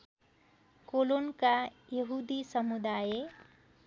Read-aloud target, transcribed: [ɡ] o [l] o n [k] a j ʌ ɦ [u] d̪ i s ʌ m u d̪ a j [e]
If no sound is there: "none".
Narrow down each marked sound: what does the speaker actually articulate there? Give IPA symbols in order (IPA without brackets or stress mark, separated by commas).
k, l, k, u, e